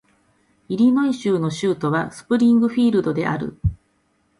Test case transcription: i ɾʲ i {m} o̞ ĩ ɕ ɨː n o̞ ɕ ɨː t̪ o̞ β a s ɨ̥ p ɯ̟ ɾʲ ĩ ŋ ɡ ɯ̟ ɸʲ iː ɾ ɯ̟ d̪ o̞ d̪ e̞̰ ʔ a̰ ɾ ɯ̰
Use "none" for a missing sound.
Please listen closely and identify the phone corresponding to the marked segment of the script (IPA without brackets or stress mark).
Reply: n